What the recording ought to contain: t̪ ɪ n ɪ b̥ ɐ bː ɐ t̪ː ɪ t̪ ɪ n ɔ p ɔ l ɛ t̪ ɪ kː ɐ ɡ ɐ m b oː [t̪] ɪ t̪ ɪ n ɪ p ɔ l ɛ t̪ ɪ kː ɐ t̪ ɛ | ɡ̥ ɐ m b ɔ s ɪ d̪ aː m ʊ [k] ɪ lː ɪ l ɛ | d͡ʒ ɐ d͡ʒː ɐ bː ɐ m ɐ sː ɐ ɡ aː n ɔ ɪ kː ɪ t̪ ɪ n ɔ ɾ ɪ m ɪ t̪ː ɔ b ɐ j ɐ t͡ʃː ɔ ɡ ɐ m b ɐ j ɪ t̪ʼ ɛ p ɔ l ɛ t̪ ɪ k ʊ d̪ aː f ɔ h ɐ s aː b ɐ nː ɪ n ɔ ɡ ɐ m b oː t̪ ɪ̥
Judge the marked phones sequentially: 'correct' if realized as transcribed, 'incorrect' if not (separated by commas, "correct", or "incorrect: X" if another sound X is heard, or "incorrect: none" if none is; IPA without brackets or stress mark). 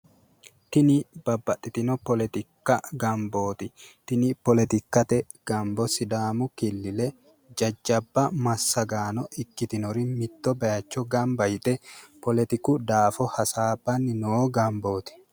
correct, correct